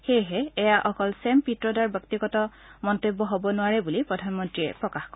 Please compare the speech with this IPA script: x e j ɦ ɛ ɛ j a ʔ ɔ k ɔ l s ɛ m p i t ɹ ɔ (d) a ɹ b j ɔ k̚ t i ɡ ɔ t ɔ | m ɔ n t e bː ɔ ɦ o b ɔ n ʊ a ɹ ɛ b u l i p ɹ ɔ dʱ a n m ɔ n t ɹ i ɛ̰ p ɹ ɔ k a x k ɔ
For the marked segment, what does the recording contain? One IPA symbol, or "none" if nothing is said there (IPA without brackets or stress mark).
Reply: d